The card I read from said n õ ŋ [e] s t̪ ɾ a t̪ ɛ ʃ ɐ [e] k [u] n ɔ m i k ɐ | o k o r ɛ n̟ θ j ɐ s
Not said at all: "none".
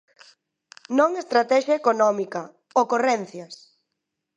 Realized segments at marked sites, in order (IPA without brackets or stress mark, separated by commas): e, e, o